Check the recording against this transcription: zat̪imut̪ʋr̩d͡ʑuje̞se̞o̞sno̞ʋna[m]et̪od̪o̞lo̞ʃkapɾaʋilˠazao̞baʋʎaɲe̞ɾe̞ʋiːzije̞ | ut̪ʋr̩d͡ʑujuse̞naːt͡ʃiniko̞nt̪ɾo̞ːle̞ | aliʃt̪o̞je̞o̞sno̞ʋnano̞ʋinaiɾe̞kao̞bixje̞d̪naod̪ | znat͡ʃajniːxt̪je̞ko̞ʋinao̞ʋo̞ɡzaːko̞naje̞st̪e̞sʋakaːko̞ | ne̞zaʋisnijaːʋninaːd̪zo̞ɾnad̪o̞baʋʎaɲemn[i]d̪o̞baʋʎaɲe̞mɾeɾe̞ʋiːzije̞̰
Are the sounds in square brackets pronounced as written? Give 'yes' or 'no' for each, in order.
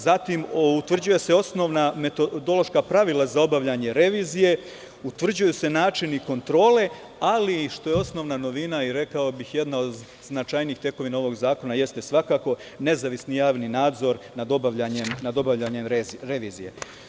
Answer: yes, no

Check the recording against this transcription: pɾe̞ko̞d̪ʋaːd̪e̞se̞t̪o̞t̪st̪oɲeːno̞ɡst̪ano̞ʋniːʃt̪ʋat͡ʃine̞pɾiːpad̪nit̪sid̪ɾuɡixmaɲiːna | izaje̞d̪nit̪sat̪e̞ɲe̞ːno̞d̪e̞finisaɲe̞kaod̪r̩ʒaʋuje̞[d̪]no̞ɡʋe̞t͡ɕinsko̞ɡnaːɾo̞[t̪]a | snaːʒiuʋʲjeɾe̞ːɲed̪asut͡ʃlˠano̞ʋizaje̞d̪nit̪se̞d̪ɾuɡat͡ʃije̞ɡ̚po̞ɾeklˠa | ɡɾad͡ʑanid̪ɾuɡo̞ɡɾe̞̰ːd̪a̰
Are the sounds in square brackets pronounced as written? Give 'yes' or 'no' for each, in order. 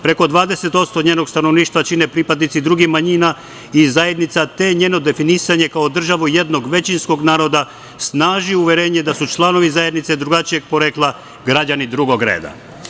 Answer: yes, no

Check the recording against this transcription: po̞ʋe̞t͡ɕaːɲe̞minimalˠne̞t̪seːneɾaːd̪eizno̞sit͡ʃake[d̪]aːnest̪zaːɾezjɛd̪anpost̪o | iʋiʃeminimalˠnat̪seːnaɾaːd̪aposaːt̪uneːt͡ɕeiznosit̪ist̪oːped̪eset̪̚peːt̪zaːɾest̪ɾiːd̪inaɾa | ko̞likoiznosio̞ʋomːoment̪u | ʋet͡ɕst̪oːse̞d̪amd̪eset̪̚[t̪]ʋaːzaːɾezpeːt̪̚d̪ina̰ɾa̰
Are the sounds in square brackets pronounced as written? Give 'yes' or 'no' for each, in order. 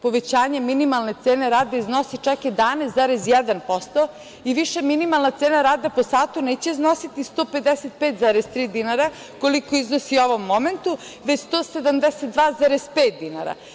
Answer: yes, no

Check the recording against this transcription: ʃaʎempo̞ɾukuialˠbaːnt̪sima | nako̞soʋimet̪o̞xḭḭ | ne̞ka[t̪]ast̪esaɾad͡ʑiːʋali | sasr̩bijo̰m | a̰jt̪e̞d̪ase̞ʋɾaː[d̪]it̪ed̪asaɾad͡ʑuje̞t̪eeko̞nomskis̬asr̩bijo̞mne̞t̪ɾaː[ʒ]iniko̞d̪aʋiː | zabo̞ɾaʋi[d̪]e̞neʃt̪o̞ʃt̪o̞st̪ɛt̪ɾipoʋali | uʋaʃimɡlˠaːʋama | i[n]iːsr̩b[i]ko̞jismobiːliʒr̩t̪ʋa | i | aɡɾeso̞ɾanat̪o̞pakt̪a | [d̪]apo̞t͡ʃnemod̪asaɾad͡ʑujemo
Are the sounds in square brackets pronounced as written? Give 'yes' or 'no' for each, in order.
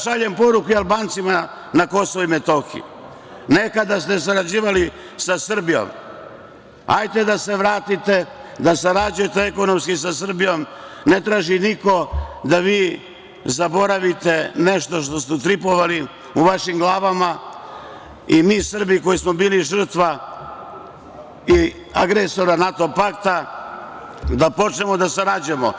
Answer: no, no, yes, no, no, yes, yes

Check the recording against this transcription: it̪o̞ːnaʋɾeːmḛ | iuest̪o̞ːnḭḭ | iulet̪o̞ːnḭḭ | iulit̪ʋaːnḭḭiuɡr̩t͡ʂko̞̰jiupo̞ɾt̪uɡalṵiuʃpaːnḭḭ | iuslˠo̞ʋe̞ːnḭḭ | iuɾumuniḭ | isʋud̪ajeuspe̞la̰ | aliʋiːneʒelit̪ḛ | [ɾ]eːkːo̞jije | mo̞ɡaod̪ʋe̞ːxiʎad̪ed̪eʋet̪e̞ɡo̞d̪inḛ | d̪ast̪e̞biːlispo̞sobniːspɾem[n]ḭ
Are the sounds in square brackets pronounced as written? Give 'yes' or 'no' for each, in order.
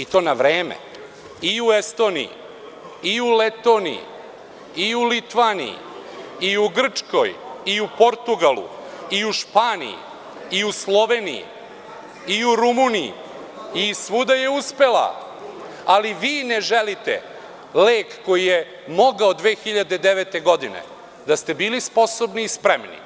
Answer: no, yes

